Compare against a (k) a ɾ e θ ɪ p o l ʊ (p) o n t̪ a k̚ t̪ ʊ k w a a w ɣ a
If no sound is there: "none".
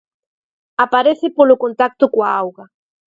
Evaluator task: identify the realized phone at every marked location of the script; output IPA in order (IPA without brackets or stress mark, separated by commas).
p, k